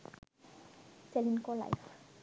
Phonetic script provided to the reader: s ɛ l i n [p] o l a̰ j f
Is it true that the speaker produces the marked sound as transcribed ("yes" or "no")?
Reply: no